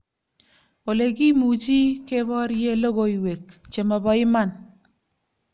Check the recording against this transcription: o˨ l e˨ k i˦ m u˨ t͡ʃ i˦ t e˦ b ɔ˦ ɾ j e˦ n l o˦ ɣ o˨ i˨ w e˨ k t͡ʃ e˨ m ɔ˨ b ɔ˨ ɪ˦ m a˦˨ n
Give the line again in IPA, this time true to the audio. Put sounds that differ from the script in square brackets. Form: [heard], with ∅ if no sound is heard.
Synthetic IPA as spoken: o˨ l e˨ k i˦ m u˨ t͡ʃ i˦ [k] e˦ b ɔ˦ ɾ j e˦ [∅] l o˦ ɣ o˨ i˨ w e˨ k t͡ʃ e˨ m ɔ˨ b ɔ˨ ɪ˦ m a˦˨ n